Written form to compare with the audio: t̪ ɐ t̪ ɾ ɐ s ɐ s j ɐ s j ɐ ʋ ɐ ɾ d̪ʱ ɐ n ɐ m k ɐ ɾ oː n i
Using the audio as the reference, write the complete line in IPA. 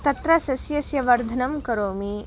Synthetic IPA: t̪ ɐ t̪ ɾ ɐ s ɐ s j ɐ s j ɐ ʋ ɐ ɾ d̪ʱ ɐ n ɐ m k ɐ ɾ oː m i